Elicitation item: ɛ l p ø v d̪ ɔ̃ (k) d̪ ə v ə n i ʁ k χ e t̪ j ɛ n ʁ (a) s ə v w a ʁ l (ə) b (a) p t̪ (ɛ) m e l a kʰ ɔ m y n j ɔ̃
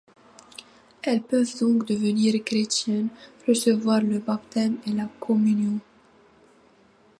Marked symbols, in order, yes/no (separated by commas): yes, no, yes, yes, yes